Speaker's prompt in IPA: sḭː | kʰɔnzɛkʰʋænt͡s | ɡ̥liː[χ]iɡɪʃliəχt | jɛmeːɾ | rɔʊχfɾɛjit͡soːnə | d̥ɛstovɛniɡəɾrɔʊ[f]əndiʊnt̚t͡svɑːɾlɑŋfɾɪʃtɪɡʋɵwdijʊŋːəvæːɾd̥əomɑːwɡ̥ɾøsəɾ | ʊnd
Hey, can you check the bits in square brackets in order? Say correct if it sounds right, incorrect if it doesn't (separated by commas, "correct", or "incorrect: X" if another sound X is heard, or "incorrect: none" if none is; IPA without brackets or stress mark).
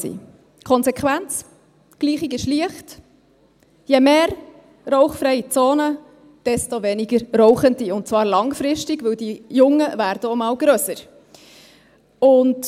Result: correct, incorrect: χ